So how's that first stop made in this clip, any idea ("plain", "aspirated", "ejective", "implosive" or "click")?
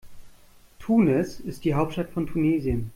aspirated